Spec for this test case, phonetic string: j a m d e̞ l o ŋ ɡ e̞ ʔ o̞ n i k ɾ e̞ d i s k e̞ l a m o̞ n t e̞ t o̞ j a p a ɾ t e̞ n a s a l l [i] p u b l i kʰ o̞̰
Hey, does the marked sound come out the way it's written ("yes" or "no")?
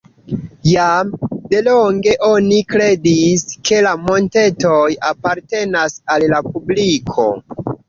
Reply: no